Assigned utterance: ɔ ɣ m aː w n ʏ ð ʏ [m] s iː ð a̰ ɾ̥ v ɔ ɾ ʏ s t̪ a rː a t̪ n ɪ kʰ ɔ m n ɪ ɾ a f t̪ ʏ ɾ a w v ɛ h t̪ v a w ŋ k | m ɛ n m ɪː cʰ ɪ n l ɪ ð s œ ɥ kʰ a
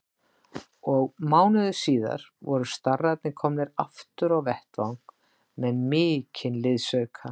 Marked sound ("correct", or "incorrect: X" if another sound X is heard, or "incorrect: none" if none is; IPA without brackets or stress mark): incorrect: none